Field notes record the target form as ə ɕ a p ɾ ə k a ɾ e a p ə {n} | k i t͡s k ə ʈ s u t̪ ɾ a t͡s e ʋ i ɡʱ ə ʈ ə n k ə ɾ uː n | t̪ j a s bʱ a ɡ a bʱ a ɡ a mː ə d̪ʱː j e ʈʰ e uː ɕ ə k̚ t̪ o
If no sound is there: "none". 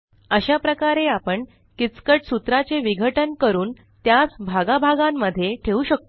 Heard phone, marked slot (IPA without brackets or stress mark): ɳ